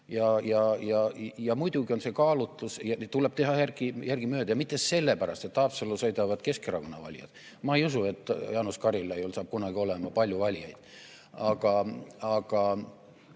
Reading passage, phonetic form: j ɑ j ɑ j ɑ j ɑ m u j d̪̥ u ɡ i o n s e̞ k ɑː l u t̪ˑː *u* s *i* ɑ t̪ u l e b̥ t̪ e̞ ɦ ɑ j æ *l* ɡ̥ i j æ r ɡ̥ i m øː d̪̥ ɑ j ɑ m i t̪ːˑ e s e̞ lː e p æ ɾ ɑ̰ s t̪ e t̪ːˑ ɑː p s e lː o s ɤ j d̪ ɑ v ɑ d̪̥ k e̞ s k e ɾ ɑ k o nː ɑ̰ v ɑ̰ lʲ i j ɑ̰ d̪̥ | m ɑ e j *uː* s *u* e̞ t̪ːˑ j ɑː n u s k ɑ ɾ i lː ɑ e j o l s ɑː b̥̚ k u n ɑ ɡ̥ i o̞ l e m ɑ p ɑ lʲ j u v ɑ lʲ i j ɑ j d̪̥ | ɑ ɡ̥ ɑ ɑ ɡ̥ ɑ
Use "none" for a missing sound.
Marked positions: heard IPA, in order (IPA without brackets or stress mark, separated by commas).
u, j, r, u, u